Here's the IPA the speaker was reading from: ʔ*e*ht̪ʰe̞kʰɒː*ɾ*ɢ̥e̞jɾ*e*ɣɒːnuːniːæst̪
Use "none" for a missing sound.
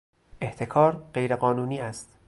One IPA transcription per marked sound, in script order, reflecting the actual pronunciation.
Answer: e, ɾ, e

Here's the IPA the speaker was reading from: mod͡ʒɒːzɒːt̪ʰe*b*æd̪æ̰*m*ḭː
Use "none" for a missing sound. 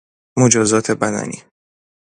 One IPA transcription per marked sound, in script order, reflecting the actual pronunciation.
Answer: b, n

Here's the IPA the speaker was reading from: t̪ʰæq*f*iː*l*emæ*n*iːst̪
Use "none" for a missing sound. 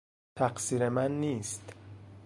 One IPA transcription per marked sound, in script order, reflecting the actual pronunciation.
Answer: s, ɾ, nː

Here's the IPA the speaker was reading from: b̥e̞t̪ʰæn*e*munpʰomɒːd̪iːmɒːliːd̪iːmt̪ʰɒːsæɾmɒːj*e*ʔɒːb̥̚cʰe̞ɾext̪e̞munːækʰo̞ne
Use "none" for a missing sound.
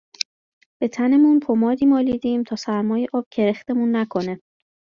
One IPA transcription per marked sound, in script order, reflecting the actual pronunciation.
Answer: e, e

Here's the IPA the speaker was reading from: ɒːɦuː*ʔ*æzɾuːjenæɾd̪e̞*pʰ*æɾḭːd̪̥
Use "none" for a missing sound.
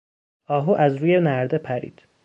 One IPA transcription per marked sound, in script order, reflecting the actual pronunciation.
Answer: ʔ, pʰ

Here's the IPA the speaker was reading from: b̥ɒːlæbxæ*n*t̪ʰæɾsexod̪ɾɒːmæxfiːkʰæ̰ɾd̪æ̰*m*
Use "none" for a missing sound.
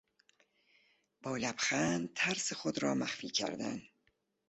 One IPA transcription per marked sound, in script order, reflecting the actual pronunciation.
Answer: n, n

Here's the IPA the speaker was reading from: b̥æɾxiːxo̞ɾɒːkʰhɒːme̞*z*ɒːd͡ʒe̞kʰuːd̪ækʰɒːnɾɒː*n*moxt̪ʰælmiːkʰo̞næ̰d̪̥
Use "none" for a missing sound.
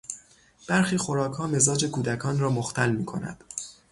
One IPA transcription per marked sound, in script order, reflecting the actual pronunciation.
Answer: z, none

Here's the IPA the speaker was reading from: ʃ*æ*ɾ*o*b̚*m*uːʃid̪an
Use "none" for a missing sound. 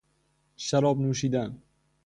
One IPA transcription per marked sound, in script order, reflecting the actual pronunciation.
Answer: a, ɒ, n

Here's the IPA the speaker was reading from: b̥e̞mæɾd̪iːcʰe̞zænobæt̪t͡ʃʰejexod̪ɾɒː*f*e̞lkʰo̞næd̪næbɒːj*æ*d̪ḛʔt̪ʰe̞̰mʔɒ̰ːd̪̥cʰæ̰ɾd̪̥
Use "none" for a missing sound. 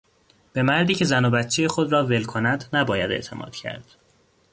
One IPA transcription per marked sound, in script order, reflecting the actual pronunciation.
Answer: v, æ

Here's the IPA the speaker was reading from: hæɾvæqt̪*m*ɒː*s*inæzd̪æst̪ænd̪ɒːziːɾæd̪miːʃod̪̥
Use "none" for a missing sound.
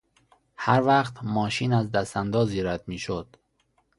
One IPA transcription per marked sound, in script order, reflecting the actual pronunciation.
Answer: m, ʃ

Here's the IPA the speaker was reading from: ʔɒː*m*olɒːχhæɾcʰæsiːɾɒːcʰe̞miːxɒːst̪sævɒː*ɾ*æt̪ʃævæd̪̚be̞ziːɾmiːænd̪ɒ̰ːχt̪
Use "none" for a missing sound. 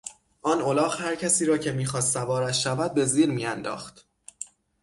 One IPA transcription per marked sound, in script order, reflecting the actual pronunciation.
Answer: n, ɾ

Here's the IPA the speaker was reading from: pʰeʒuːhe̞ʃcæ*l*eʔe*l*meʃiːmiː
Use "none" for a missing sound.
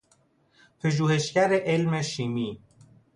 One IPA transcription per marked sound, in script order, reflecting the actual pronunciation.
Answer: ɾ, l

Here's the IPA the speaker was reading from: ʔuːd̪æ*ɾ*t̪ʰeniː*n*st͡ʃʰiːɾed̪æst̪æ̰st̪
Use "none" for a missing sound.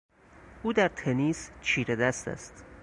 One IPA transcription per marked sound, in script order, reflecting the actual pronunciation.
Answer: ɾ, none

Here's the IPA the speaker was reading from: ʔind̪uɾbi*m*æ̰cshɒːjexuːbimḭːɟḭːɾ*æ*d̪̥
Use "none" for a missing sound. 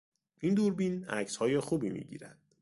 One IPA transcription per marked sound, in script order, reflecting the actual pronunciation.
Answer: n, æ

